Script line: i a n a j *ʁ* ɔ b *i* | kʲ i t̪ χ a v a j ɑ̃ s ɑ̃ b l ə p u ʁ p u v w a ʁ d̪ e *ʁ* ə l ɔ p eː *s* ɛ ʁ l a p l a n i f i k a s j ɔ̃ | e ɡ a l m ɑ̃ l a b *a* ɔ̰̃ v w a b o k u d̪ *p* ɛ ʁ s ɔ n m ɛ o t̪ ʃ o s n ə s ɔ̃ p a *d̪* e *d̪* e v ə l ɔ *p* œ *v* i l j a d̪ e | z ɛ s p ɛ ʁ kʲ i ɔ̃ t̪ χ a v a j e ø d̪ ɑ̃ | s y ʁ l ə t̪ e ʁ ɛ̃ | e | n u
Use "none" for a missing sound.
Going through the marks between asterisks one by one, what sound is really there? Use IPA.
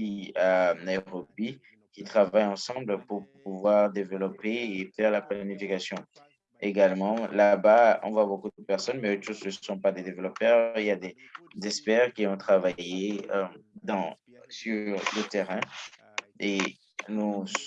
ʁ, i, v, f, a, p, d̪, d̪, p, ʁ

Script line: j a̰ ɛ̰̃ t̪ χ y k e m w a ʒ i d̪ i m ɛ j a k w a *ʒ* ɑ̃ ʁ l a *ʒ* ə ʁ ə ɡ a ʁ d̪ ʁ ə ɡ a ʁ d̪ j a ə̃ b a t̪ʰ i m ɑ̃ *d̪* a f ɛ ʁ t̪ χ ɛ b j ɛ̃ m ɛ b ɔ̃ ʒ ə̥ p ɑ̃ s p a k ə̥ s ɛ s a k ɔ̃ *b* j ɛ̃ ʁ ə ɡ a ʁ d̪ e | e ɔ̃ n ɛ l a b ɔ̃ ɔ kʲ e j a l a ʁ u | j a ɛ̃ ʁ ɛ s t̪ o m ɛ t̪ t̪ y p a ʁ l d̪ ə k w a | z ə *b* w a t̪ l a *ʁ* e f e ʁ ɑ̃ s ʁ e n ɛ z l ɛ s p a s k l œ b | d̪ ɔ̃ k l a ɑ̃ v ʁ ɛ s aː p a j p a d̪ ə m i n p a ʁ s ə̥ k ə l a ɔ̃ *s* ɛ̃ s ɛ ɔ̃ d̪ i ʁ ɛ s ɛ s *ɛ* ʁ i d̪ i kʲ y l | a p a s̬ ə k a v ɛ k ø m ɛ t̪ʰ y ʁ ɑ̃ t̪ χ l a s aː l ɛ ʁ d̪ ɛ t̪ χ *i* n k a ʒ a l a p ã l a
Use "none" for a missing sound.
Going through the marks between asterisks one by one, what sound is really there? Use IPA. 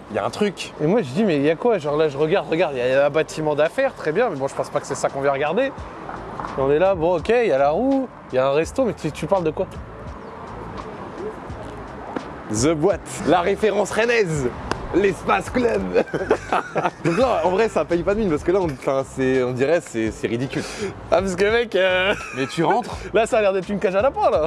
ʒ, ʒ, d̪, v, b, ʁ, f, ɛ, y

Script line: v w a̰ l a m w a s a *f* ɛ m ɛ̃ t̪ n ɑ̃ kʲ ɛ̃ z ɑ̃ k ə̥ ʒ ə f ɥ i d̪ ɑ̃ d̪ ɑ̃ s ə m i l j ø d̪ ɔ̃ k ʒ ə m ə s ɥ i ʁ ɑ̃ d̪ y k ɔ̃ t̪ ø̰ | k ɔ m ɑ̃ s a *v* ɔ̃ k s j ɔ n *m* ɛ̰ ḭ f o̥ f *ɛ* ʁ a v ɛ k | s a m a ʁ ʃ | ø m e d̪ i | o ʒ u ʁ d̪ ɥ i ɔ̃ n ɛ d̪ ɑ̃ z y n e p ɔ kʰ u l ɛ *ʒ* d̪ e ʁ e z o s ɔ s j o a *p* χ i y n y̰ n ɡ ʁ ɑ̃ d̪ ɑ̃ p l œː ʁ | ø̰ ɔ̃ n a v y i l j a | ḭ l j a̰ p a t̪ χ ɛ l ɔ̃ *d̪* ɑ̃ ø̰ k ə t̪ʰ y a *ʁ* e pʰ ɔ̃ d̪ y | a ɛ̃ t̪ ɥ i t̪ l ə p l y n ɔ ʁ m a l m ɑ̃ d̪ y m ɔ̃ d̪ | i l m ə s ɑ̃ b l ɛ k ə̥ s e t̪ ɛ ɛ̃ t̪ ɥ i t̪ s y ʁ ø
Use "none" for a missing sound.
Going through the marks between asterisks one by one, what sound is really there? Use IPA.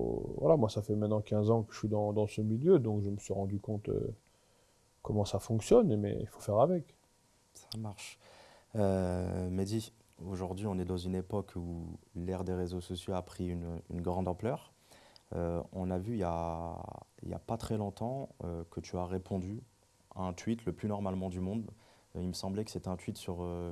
f, f, m, ɛ, ʁ, p, t̪, ʁ

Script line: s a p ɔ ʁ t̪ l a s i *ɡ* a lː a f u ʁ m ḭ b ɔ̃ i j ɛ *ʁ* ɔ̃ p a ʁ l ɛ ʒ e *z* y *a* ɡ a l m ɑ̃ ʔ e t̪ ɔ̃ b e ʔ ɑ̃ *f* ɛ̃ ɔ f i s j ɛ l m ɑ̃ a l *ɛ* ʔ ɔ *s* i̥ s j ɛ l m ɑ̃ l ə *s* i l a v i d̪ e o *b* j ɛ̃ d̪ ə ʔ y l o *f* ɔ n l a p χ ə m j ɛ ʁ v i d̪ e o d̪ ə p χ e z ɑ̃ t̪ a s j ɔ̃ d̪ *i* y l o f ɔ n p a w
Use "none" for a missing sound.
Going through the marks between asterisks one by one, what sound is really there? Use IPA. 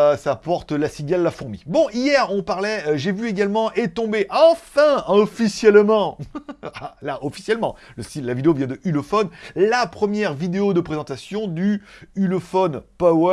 ɡ, ʁ, v, e, f, a, f, s, v, f, y

